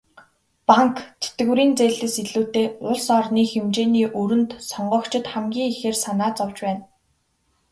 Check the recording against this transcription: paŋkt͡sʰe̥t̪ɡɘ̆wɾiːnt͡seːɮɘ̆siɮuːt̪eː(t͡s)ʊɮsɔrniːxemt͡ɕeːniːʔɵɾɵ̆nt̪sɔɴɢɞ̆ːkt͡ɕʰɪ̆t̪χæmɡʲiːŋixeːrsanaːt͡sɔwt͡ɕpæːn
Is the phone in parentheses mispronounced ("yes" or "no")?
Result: yes